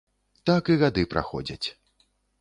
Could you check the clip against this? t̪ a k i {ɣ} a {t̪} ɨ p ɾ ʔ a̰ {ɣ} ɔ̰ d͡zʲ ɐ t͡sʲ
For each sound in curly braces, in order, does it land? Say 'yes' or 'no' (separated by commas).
yes, no, no